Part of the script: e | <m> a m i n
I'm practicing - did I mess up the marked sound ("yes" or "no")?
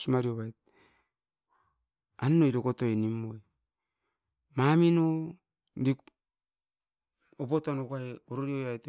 no